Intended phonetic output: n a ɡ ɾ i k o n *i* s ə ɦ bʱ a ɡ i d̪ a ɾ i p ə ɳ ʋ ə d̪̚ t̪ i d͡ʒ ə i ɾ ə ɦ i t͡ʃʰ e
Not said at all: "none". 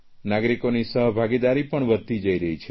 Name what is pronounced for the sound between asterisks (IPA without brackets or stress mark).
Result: i